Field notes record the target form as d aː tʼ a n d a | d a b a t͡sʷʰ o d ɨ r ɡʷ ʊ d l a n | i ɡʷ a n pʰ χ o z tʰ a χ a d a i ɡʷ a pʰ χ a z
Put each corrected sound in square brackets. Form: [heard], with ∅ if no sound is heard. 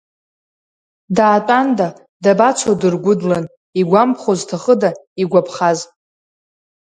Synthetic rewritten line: d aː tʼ a n d a | d a b a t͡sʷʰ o d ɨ r ɡʷ ʊ d l a n | i ɡʷ a [m] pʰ χ o z tʰ a χ [ə] d a i ɡʷ a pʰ χ a z